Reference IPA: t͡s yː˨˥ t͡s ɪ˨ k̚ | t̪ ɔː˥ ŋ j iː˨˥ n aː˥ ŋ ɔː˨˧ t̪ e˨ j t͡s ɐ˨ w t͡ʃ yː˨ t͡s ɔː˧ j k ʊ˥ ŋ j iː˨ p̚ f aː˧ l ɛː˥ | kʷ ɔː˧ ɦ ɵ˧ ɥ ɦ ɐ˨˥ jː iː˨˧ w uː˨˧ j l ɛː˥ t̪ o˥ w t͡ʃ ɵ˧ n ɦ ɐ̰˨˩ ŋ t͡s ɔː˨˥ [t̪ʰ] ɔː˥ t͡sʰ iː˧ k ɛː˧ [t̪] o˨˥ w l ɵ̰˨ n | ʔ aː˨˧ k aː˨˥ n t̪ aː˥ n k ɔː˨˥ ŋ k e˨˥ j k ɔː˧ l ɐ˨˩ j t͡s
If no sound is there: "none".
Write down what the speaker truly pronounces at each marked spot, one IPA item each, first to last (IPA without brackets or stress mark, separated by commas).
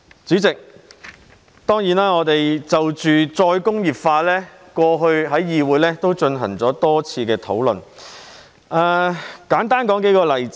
t̪, t̪ʰ